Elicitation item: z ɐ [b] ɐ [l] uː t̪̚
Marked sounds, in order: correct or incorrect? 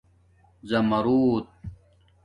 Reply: incorrect, incorrect

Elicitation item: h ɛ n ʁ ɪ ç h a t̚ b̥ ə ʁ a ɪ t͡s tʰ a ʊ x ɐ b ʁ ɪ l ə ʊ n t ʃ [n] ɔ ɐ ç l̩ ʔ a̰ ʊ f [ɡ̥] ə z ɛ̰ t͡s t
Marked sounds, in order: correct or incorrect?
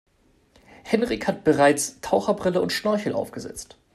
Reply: correct, correct

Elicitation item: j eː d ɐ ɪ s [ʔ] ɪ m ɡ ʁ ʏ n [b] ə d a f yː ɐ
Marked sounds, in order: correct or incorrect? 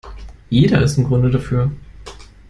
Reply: incorrect, incorrect

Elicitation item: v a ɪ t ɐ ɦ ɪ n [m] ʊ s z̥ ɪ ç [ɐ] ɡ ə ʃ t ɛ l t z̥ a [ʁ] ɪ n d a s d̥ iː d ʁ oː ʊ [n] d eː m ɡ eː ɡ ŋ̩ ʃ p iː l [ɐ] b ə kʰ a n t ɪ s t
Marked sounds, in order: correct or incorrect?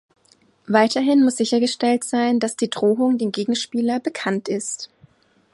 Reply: correct, correct, incorrect, incorrect, correct

